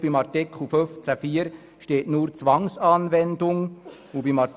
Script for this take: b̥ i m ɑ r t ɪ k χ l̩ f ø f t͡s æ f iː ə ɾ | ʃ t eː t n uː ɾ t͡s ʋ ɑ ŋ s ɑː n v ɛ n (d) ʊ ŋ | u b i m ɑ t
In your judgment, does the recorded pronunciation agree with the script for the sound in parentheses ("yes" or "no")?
yes